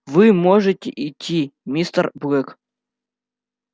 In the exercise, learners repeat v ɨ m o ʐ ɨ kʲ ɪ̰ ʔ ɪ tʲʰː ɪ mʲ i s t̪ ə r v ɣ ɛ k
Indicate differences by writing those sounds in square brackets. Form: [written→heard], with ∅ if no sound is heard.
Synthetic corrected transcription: v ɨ m o ʐ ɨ [kʲ→tʲ] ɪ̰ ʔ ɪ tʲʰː [ɪ→i] mʲ i s t̪ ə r [v→b] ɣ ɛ k

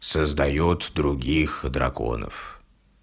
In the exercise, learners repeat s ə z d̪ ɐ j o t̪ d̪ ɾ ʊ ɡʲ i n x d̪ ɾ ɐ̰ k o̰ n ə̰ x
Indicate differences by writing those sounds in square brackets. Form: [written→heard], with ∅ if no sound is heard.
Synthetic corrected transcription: s ə z d̪ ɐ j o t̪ d̪ ɾ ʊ ɡʲ i [n→∅] x d̪ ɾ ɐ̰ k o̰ n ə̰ [x→f]

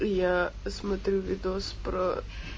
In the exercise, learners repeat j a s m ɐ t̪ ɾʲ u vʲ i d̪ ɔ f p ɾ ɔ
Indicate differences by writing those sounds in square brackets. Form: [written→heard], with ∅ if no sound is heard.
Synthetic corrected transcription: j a s m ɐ t̪ ɾʲ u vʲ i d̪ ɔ [f→s] p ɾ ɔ

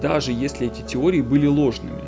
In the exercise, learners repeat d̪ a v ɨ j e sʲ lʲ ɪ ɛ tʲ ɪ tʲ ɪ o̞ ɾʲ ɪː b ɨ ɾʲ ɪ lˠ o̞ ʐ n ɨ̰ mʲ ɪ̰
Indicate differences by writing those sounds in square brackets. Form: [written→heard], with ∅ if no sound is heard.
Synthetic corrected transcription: d̪ a [v→ʐ] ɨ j e sʲ lʲ ɪ ɛ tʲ ɪ tʲ ɪ o̞ ɾʲ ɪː b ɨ [ɾʲ→lʲ] ɪ lˠ o̞ ʐ n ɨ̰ mʲ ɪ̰

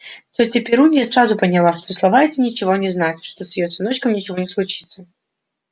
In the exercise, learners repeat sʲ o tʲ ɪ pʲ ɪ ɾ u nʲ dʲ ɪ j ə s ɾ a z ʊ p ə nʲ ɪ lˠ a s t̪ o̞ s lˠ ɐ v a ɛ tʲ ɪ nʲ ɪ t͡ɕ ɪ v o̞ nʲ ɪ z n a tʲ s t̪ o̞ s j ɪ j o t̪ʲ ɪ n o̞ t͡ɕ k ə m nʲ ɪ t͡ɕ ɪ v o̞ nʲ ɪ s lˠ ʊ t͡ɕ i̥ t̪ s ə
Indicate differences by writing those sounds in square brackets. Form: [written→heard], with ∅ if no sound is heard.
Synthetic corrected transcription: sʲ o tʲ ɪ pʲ ɪ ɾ u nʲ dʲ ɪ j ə s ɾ a z ʊ p ə nʲ ɪ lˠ a [s→ʂ] t̪ o̞ s lˠ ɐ v a ɛ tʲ ɪ nʲ ɪ t͡ɕ ɪ v o̞ nʲ ɪ z n a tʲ [s→ʂ] t̪ o̞ s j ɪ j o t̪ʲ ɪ n o̞ t͡ɕ k ə m nʲ ɪ t͡ɕ ɪ v o̞ nʲ ɪ s lˠ ʊ t͡ɕ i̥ t̪ s ə

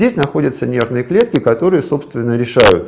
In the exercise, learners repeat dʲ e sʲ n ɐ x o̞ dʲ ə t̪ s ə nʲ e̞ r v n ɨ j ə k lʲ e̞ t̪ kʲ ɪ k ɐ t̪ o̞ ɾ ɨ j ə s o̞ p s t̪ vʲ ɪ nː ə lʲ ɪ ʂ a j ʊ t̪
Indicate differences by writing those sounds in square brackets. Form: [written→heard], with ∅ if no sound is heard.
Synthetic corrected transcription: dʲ e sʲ n ɐ x o̞ dʲ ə t̪ s ə nʲ e̞ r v n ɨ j ə k lʲ e̞ t̪ kʲ ɪ k ɐ t̪ o̞ ɾ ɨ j ə s o̞ p s t̪ vʲ ɪ nː ə [lʲ→ɾʲ] ɪ ʂ a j ʊ t̪

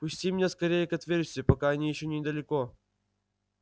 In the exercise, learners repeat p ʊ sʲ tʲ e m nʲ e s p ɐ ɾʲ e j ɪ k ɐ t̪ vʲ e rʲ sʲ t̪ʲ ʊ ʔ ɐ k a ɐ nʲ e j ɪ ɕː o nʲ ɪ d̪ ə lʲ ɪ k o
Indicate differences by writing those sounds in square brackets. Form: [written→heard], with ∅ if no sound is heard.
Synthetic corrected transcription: p ʊ sʲ tʲ [e→i] m nʲ e s [p→k] ɐ ɾʲ e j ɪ k ɐ t̪ vʲ e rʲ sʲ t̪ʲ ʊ [ʔ→p] ɐ k a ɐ nʲ [e→i] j ɪ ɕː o nʲ ɪ d̪ ə lʲ ɪ k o

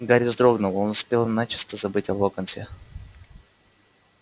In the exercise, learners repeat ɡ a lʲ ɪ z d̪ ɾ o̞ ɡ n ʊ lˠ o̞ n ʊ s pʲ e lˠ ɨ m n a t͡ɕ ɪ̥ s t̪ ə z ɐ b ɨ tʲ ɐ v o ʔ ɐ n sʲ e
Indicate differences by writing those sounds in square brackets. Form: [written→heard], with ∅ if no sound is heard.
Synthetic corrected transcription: ɡ a [lʲ→ɾʲ] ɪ z d̪ ɾ o̞ ɡ n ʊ lˠ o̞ n ʊ s pʲ e lˠ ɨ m n a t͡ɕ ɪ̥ s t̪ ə z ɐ b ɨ tʲ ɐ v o [ʔ→k] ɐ n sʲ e

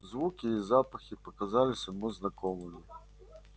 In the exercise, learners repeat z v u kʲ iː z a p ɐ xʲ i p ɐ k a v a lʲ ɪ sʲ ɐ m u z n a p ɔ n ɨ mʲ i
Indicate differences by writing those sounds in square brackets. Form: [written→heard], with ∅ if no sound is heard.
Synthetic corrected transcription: z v u kʲ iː z a p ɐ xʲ i p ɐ k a [v→z] a lʲ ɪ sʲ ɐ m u z n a [p→k] ɔ [n→m] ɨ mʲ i

